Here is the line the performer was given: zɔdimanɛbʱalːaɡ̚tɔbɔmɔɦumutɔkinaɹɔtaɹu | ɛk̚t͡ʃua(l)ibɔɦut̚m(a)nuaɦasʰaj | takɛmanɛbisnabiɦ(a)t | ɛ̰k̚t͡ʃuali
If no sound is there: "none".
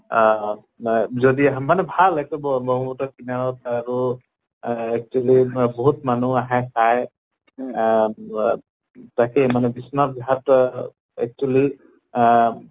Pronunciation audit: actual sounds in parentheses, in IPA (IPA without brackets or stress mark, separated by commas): l, a, a